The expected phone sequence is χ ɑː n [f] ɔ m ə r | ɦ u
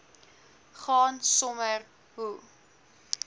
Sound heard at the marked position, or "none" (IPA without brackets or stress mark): s